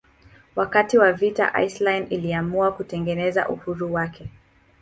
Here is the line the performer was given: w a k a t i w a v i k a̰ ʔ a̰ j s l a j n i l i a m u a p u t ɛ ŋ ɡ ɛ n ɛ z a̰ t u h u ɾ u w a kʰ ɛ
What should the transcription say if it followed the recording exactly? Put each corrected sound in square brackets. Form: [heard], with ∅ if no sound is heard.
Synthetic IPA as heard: w a k a t i w a v i [t] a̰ ʔ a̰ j s l a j n i l i a m u a [k] u t ɛ ŋ ɡ ɛ n ɛ z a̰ [ʔ] u h u ɾ u w a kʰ ɛ